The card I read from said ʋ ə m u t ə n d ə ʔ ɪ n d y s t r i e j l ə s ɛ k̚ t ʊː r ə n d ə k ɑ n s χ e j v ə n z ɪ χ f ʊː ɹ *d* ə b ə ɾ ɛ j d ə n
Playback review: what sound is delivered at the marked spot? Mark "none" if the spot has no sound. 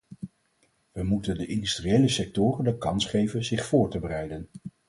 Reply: t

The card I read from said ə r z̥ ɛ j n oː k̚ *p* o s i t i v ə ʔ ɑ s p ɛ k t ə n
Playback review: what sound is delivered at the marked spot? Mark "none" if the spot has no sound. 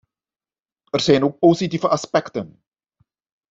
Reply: p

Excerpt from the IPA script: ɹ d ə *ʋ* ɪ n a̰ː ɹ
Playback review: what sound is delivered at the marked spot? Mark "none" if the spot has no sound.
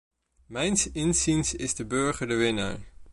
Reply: ʋ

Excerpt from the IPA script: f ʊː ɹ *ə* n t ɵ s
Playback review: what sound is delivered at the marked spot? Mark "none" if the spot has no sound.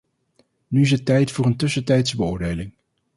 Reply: ə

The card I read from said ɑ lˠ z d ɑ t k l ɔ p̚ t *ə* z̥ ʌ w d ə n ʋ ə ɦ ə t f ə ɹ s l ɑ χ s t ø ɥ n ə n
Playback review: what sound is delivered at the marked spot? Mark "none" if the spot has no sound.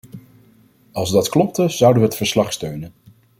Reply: ə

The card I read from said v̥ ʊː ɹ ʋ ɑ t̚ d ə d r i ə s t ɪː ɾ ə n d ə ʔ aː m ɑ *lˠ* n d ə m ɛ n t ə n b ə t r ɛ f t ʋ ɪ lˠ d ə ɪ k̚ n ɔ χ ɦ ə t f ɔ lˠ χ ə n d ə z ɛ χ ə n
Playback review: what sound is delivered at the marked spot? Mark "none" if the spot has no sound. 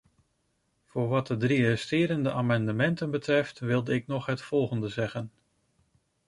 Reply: none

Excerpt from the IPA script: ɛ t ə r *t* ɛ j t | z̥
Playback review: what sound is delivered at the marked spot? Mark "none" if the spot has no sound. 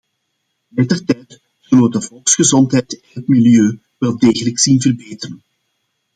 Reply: t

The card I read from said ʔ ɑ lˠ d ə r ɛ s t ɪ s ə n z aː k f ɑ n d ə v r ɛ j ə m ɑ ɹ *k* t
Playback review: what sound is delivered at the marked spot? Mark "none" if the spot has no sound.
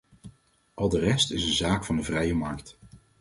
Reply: k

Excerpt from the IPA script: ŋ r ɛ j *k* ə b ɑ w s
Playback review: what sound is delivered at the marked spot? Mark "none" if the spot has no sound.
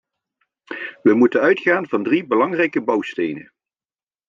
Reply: k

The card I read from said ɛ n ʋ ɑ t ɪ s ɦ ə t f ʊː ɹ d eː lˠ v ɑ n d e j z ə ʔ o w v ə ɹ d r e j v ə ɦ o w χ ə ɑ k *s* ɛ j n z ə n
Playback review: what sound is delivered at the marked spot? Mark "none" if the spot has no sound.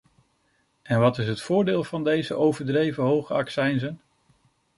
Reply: s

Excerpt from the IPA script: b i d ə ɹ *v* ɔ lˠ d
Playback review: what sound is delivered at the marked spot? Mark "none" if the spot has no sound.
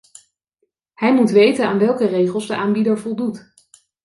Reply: v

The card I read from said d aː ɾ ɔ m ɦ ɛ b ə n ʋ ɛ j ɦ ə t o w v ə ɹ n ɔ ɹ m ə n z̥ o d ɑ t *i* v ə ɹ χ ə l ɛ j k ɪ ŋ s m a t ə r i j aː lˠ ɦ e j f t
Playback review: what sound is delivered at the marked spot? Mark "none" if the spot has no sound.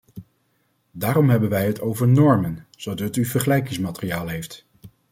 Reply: y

